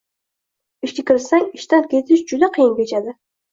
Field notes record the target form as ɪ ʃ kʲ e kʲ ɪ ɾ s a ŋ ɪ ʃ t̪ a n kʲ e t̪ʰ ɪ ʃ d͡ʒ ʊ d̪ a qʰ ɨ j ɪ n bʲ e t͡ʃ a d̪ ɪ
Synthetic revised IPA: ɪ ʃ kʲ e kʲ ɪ ɾ s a ŋ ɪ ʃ t̪ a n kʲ e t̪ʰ ɪ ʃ d͡ʒ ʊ d̪ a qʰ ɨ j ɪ n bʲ e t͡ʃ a d̪ ɪ